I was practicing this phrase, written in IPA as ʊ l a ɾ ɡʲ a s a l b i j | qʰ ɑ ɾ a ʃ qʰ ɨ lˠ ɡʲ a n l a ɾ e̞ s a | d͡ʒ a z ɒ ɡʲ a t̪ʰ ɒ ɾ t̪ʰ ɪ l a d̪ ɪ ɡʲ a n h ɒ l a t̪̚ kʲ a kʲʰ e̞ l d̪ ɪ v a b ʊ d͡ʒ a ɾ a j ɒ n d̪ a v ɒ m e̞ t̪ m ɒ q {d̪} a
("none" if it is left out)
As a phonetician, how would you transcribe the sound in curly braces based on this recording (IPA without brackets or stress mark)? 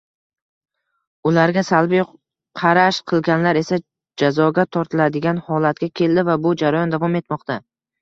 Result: t̪